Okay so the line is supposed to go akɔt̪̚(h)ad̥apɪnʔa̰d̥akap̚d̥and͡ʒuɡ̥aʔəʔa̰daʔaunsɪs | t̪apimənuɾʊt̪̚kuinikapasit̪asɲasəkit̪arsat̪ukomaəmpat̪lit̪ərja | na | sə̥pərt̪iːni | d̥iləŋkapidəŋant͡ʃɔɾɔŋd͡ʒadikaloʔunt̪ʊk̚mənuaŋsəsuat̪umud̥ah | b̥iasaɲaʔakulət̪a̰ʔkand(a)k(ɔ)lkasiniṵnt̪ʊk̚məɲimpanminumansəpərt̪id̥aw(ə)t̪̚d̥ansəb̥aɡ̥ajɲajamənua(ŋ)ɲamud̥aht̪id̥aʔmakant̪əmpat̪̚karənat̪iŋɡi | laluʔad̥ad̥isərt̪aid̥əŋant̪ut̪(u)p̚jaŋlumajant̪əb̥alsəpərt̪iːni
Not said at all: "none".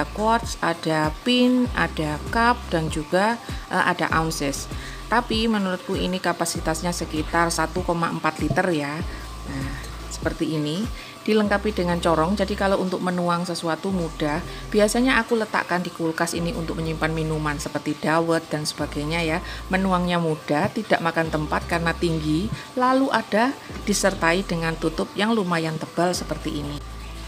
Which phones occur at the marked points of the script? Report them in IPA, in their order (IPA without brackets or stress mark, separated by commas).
s, i, u, ə, ŋ, ʊ